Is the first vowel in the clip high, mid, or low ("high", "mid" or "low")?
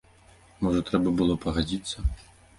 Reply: mid